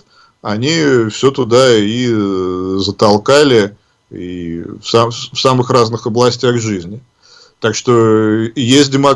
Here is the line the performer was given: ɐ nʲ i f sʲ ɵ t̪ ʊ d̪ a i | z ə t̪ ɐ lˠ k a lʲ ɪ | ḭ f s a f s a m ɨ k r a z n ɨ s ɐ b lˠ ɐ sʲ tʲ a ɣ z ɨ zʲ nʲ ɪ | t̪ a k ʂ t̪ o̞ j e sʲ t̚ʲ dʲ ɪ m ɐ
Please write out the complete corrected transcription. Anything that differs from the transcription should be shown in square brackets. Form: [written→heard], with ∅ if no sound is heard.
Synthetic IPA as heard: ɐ nʲ i f sʲ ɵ t̪ ʊ d̪ a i | z ə t̪ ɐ lˠ k a lʲ ɪ | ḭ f s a f s a m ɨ [k→x] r a z n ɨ [s→x] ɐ b lˠ ɐ sʲ tʲ a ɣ [z→ʐ] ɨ zʲ nʲ ɪ | t̪ a k ʂ t̪ o̞ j e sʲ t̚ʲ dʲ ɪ m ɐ